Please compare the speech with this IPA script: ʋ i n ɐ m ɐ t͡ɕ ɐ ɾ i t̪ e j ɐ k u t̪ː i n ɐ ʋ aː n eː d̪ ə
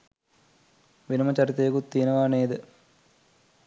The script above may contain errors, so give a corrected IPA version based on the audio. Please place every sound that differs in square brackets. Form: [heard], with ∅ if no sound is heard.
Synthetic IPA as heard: ʋ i n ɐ m ɐ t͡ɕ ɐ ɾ i t̪ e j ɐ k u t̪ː i n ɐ ʋ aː n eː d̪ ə

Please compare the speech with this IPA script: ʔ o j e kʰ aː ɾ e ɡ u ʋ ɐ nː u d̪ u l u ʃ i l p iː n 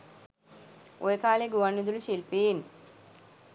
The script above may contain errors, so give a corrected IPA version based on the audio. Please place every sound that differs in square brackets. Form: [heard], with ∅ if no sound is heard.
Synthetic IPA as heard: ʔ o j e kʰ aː [l] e ɡ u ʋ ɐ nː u d̪ u l u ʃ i l p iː n

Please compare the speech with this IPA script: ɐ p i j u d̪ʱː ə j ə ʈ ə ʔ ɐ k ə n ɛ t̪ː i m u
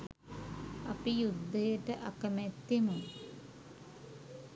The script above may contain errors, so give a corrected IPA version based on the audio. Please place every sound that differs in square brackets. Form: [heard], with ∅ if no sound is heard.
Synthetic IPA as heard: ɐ p i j u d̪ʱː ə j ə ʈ ə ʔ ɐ k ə [m] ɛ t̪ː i m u

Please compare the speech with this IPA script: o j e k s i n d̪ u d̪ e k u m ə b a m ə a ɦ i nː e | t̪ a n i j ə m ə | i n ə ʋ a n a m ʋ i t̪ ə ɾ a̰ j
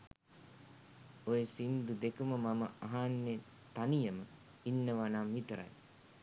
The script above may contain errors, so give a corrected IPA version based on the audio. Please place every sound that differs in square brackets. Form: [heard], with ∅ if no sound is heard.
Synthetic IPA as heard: o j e [∅] s i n d̪ u d̪ e k u m ə [m] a m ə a ɦ [a] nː e | t̪ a n i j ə m ə | i [nː] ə ʋ a n a m ʋ i t̪ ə ɾ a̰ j

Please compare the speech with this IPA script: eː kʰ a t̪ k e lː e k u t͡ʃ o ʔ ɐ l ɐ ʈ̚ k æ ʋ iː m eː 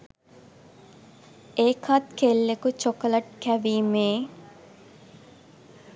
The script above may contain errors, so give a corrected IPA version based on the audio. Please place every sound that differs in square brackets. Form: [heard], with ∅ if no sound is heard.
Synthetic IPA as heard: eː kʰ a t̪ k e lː e k u t͡ʃ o [k] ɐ l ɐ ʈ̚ k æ ʋ iː m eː

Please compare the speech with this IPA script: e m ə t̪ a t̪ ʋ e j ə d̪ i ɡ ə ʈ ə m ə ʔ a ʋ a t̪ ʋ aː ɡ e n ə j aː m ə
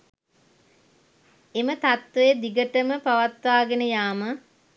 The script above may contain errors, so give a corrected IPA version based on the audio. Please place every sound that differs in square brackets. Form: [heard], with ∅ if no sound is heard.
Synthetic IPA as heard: e m ə t̪ a t̪ ʋ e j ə d̪ i ɡ ə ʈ ə m ə [p] a ʋ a t̪ ʋ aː ɡ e n ə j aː m ə

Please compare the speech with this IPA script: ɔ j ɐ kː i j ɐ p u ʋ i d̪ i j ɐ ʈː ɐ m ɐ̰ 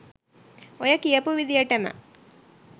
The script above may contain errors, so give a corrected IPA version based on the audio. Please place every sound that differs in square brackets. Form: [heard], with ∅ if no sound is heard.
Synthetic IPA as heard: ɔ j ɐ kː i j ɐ p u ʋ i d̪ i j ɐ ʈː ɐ m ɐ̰

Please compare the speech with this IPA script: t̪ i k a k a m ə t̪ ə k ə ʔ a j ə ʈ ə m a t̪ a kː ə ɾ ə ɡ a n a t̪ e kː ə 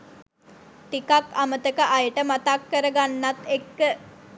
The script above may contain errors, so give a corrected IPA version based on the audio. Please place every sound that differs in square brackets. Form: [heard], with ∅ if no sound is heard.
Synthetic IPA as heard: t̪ i k a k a m ə t̪ ə k ə ʔ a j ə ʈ ə m a t̪ a kː ə ɾ ə ɡ a [nː] a t̪ e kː ə

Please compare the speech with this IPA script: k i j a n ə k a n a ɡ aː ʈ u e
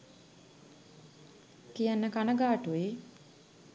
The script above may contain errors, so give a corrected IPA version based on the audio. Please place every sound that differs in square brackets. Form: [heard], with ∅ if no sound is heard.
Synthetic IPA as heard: k i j a [nː] ə k a n [ə] ɡ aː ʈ u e

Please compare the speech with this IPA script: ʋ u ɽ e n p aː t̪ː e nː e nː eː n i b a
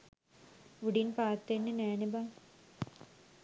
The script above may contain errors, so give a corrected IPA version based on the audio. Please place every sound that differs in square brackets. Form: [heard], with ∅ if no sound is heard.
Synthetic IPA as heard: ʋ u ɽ [i] n p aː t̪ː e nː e [n] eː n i b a

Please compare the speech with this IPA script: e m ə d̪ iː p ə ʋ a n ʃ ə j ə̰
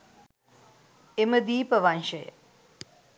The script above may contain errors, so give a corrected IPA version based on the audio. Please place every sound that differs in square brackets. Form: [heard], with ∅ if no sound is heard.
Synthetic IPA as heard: e m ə d̪ iː p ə ʋ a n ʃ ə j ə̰

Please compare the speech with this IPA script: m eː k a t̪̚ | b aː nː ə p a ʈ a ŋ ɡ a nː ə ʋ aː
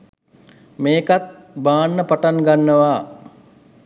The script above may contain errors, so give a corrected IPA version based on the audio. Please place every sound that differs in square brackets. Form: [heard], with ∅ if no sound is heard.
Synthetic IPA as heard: m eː k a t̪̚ | b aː nː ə p a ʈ a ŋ ɡ a nː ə ʋ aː

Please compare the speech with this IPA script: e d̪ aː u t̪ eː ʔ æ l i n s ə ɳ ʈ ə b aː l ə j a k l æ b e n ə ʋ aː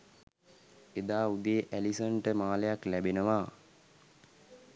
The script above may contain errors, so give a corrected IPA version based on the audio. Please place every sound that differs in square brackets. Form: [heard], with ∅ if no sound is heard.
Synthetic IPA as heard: e d̪ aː u [d̪] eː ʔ æ l i [∅] s ə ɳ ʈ ə [m] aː l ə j a k l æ b e n ə ʋ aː

